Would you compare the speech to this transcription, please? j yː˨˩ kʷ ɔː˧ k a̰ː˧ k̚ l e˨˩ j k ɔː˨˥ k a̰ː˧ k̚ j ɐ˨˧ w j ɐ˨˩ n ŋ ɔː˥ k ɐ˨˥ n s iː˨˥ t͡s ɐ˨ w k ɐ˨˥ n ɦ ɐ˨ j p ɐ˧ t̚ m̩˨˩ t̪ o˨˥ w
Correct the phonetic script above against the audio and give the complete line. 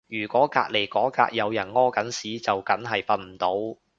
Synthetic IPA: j yː˨˩ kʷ ɔː˨˥ k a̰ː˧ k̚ l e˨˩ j k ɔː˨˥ k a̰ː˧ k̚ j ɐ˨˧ w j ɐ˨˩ n ŋ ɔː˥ k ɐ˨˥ n s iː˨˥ t͡s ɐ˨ w k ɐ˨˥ n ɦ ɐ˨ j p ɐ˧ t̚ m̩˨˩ t̪ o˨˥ w